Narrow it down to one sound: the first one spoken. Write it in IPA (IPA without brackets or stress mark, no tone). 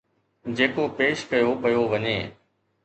d͡ʑ